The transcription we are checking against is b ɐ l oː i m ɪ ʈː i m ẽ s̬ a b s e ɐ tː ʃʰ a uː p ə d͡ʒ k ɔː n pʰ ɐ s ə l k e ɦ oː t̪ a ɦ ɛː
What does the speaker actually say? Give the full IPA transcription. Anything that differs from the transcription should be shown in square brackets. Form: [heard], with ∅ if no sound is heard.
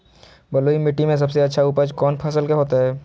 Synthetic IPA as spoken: b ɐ l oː i m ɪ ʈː i m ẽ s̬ [ɐ] b s e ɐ tː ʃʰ a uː p ə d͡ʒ k ɔː n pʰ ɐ s ə l k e ɦ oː t̪ a ɦ ɛː